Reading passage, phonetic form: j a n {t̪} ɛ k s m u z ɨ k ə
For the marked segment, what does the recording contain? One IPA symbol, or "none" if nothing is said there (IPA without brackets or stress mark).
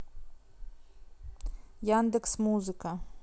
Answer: d̪